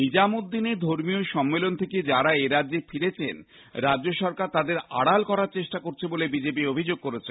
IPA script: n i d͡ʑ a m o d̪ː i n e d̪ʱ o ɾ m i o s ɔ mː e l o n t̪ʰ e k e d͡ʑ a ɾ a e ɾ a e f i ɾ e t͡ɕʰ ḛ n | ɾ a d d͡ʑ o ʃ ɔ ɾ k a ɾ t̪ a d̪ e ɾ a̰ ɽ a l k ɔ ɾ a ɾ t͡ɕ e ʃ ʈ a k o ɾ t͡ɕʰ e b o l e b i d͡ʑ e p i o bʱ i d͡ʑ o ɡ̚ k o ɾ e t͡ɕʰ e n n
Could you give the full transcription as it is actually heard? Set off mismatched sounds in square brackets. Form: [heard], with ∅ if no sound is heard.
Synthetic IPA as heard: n i d͡ʑ a m o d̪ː i n e d̪ʱ o ɾ m i o [ʃ] ɔ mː e l o n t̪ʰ e k e d͡ʑ a ɾ a e ɾ a e f i ɾ e t͡ɕʰ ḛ n | ɾ a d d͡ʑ o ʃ ɔ ɾ k a ɾ t̪ a d̪ e ɾ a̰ ɽ a l k ɔ ɾ a ɾ t͡ɕ e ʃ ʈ a k o ɾ t͡ɕʰ e b o l e b i d͡ʑ e p i o bʱ i d͡ʑ o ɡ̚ k o ɾ e t͡ɕʰ e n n